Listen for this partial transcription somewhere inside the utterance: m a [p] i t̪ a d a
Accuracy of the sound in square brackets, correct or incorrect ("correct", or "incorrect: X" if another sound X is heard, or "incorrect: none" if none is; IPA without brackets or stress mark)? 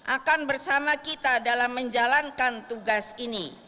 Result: incorrect: k